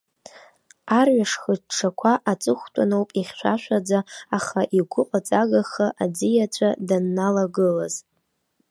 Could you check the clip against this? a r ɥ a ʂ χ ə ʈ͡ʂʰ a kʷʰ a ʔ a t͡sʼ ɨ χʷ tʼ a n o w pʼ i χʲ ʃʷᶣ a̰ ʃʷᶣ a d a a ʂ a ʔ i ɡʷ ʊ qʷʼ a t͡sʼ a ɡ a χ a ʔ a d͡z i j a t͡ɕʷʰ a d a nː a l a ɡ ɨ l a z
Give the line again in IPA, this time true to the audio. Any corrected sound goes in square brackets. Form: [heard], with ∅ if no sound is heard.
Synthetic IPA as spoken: a r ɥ a ʂ χ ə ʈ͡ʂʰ a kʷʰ a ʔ a t͡sʼ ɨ χʷ tʼ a n o w pʼ i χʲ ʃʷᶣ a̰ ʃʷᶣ a [d͡z] a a [χ] a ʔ i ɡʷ ʊ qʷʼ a t͡sʼ a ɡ a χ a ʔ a d͡z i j a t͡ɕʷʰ a d a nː a l a ɡ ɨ l a z

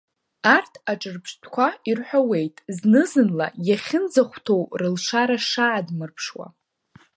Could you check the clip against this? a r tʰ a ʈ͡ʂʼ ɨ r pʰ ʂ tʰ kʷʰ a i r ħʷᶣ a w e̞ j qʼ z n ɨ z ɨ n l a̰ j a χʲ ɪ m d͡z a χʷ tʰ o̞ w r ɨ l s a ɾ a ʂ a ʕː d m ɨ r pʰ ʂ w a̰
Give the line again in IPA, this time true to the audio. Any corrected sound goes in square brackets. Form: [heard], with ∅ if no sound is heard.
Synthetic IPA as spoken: a r tʰ a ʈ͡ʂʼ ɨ r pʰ ʂ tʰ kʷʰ a i r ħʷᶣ a w e̞ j [tʼ] z n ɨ z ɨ n l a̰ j a χʲ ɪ [n] d͡z a χʷ tʰ o̞ w r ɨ l [ʂ] a ɾ a ʂ a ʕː d m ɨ r pʰ ʂ w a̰

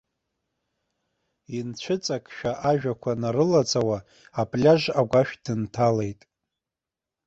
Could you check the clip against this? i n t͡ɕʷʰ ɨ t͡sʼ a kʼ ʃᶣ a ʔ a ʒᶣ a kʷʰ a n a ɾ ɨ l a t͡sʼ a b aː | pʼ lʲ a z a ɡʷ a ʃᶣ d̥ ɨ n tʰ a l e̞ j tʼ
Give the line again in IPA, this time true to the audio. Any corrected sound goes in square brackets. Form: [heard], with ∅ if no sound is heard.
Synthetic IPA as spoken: i n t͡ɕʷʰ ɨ t͡sʼ a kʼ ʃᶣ a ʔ a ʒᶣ a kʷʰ a n a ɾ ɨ l a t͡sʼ a [w] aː | pʼ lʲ a [ʒ] a ɡʷ a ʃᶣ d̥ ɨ n tʰ a l e̞ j tʼ

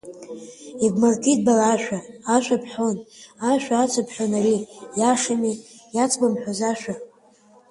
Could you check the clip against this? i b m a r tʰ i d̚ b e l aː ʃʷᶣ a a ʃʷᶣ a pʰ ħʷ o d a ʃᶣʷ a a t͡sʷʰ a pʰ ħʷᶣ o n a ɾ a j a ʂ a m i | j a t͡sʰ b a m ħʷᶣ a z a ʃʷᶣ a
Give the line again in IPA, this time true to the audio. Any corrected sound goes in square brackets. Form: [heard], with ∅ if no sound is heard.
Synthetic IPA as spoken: i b m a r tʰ i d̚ b [a] l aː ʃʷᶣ a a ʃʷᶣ a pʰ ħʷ o [n] a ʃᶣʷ a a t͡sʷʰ a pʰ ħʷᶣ o n a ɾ [i] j a ʂ a m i | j a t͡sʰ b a m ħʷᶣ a z a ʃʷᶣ a

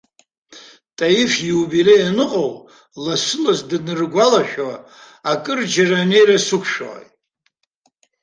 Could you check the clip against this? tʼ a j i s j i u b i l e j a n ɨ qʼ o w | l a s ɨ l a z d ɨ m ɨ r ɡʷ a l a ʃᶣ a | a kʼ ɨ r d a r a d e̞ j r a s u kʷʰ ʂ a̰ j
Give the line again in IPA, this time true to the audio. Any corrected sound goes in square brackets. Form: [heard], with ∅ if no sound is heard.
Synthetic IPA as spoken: tʼ a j i [f] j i u b i l e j a n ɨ qʼ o w | l a s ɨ l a z d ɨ [n] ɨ r ɡʷ a l a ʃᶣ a | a kʼ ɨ r [d͡ʒ] a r a [n] e̞ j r a s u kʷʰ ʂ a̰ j

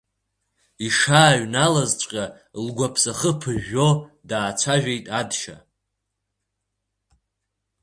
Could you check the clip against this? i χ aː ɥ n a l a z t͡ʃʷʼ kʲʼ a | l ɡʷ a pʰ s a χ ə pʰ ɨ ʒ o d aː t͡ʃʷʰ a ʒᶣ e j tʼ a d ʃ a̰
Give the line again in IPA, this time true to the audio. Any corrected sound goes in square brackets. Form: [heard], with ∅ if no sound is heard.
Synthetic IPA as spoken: i [ʂ] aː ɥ n a l a z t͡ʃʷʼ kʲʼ a | l ɡʷ a pʰ s a χ ə pʰ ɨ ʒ o d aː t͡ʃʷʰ a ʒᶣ e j tʼ a d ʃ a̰

